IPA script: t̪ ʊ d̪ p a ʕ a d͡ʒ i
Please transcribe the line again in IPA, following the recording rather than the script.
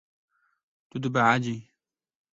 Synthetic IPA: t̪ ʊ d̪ b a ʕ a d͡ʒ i